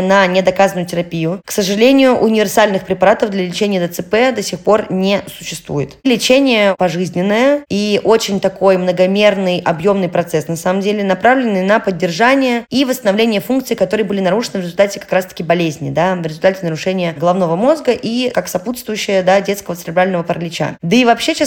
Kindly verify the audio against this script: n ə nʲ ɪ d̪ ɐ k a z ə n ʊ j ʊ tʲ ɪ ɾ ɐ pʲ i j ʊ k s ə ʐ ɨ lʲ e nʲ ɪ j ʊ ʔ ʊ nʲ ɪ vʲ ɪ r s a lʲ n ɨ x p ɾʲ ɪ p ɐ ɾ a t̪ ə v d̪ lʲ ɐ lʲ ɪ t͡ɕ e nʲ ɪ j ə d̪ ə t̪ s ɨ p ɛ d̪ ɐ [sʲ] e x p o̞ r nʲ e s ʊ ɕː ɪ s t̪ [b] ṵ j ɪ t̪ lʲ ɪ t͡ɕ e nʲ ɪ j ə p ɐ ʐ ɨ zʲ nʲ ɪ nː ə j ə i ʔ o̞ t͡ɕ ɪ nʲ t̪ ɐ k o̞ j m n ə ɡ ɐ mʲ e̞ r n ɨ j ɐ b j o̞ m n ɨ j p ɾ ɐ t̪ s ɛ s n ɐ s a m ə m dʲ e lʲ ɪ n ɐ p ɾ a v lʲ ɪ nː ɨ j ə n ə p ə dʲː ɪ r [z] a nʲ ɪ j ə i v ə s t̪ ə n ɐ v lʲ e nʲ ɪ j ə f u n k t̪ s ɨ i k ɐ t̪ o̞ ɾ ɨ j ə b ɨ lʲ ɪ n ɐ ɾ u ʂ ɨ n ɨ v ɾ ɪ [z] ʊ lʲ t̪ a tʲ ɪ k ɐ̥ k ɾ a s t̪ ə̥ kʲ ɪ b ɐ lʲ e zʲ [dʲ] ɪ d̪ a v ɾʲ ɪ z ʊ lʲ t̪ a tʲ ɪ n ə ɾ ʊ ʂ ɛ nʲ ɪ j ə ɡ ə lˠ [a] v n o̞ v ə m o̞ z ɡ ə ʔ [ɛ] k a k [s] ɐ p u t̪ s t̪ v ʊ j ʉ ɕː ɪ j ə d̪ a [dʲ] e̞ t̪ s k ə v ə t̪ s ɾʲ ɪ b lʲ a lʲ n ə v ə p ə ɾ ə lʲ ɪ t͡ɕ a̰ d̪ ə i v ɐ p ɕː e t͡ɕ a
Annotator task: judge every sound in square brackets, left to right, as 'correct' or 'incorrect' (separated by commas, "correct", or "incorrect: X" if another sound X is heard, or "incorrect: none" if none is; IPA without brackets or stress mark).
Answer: correct, incorrect: v, incorrect: ʐ, correct, incorrect: nʲ, incorrect: ɐ, incorrect: i, correct, correct